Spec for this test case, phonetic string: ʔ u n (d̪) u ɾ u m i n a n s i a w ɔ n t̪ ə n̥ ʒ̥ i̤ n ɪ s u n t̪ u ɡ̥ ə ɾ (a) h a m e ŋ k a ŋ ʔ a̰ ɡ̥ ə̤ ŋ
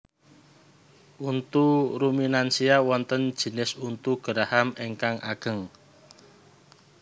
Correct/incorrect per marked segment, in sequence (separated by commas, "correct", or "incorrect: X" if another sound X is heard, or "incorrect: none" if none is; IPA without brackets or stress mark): incorrect: t̪, correct